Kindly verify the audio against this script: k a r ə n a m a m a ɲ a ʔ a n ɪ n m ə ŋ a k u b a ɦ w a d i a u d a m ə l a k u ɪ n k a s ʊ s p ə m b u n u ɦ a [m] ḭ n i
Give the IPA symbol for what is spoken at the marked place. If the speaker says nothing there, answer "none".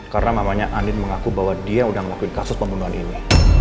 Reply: n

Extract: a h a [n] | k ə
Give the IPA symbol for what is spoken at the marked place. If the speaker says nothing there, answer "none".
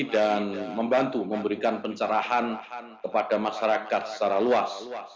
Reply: n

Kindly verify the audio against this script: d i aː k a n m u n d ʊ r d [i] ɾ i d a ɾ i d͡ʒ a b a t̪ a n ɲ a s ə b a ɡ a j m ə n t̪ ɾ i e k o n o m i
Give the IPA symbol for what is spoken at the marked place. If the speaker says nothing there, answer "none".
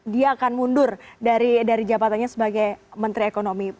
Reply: a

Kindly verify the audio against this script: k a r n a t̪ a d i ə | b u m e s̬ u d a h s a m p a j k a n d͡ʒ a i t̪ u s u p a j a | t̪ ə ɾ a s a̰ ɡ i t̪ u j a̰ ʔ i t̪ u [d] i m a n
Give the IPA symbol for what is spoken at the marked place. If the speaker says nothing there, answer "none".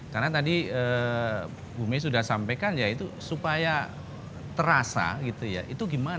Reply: ɡ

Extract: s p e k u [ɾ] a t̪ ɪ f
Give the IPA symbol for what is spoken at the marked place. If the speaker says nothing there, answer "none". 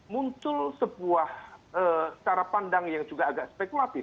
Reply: l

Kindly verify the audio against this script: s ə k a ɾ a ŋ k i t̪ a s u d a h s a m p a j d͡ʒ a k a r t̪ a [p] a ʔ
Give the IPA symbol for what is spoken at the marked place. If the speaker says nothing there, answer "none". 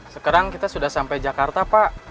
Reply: p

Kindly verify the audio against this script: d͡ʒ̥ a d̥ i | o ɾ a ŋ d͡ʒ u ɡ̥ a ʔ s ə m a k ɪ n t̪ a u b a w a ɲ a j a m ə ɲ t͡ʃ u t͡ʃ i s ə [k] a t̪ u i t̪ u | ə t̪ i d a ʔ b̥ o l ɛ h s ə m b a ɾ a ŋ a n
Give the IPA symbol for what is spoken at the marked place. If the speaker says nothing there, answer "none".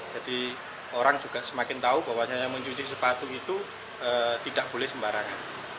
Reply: p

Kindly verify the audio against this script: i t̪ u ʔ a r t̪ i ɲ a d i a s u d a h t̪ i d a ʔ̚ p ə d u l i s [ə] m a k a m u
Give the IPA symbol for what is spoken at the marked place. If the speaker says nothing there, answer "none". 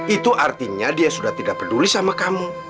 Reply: a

